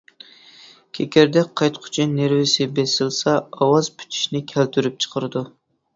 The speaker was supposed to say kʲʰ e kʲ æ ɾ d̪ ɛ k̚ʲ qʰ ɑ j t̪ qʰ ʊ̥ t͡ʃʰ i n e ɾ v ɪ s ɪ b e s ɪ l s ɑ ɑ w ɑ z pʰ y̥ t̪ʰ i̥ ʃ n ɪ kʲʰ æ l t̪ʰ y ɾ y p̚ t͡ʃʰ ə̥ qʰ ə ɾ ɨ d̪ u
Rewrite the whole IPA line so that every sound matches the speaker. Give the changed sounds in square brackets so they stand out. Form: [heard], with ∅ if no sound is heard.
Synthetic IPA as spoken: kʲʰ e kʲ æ ɾ d̪ ɛ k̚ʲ qʰ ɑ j t̪ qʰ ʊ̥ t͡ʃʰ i n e ɾ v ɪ s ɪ b e s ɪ l s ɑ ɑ w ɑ z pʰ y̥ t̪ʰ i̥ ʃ n ɪ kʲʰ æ l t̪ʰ y ɾ y p̚ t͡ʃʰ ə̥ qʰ ə ɾ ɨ d̪ u

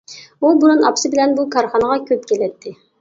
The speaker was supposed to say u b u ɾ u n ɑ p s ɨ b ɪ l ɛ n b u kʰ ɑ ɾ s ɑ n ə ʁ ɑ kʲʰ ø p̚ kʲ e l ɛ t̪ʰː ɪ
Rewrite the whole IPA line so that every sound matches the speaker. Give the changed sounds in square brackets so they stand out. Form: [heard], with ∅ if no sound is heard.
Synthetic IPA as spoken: u b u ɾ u n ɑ p s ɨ b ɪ l ɛ n b u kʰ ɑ ɾ [χ] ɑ n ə ʁ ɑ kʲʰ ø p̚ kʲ e l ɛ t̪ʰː ɪ

